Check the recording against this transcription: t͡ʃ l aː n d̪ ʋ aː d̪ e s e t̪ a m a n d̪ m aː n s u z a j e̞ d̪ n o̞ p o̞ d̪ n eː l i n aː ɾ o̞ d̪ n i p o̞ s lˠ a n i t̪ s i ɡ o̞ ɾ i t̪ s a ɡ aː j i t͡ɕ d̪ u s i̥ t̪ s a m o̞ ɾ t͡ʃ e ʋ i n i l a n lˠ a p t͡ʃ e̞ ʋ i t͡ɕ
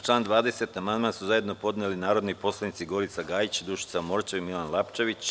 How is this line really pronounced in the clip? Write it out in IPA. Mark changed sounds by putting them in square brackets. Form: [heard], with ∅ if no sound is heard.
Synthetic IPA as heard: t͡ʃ l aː n d̪ ʋ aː d̪ e s e t̪ a m a n d̪ m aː n s u z a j e̞ d̪ n o̞ p o̞ d̪ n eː l i n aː ɾ o̞ d̪ n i p o̞ s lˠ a n i t̪ s i ɡ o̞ ɾ i t̪ s a ɡ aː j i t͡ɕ d̪ u [ʃ] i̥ t̪ s a m o̞ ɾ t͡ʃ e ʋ i [m] i l a n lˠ a p t͡ʃ e̞ ʋ i t͡ɕ